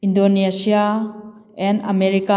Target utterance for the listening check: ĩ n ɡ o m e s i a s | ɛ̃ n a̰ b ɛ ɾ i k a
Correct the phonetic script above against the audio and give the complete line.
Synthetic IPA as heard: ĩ n d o n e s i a | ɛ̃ n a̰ m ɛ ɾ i k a